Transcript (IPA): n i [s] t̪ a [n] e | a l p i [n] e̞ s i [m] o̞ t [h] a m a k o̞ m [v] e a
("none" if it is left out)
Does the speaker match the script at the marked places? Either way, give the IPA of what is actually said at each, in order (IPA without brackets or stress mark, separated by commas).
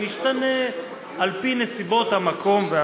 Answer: ʃ, n, n, b, h, v